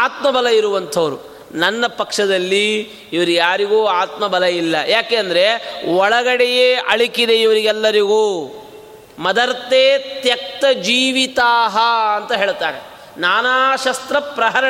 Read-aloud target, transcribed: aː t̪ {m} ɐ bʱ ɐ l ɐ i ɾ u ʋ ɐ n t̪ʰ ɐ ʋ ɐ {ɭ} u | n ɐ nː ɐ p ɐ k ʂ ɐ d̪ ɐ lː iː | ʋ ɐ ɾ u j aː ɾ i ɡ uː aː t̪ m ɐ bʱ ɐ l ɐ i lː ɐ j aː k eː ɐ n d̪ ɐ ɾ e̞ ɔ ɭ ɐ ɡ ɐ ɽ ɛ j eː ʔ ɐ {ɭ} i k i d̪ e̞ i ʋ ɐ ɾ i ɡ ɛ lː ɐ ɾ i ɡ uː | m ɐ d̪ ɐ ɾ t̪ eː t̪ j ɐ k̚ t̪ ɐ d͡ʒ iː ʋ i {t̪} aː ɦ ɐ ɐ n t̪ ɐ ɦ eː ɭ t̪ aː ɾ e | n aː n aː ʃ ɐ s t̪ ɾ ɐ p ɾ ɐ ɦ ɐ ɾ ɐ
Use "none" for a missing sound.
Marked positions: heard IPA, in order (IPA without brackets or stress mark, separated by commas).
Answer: m, ɾ, ɭ, t̪